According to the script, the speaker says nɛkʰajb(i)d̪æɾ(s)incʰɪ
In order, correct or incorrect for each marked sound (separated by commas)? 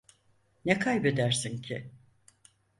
incorrect, correct